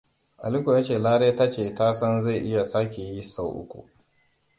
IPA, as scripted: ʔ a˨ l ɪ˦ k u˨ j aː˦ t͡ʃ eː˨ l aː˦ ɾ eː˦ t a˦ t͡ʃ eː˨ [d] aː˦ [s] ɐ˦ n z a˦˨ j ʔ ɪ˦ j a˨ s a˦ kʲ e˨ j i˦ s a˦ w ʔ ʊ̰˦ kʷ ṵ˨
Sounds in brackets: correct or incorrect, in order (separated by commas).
incorrect, correct